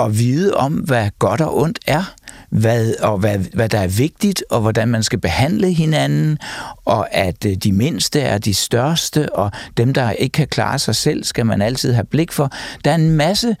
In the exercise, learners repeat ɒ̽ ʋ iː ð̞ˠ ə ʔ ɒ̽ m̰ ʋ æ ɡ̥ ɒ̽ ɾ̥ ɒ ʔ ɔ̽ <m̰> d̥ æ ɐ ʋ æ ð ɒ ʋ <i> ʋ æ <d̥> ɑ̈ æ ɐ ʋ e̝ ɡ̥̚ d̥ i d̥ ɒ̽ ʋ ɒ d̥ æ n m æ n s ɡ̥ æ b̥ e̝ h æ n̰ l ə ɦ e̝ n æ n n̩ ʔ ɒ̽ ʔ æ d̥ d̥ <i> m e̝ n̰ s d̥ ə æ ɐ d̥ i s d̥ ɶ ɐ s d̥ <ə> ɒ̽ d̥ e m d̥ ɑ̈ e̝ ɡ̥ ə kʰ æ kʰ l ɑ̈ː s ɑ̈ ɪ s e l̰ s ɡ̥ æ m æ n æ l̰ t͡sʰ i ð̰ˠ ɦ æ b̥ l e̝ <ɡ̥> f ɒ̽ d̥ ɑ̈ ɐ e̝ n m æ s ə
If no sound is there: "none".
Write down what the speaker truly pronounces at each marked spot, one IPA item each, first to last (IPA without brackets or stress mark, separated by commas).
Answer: n̰, æ, d̥, i, ə, ɡ̥